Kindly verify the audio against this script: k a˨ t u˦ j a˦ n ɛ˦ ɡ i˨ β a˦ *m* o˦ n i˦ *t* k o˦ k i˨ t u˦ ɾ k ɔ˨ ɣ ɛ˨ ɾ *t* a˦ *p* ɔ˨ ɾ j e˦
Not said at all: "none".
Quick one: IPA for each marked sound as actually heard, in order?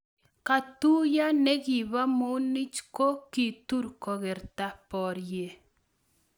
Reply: m, t͡ʃ, t, p

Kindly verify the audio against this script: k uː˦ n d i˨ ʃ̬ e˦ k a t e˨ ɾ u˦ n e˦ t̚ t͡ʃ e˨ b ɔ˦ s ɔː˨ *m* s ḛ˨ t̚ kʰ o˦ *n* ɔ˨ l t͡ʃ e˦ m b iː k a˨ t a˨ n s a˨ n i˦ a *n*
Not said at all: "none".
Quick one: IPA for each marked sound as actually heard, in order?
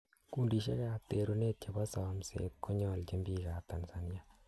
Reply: m, ɲ, none

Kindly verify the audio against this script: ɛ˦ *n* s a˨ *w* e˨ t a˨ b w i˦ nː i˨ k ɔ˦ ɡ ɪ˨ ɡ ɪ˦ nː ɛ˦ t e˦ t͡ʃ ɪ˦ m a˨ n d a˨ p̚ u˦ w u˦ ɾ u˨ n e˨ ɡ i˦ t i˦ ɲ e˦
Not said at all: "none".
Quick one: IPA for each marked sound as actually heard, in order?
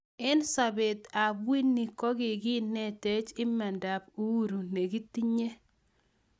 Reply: n, b

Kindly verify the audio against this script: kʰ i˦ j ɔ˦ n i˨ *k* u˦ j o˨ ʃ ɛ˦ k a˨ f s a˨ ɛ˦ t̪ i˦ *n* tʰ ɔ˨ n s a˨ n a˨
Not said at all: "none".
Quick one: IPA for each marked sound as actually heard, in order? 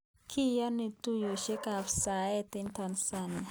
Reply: t, n

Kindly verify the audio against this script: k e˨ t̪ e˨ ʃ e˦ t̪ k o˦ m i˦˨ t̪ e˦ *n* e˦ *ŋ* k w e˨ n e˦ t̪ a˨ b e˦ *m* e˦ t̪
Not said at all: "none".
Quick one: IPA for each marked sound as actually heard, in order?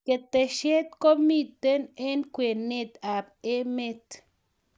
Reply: n, n, m

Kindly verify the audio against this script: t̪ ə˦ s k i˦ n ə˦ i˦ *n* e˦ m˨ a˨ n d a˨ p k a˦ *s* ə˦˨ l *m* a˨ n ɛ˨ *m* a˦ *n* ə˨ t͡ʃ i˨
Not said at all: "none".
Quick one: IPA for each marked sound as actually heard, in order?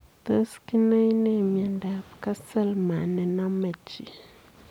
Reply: n, s, m, n, m

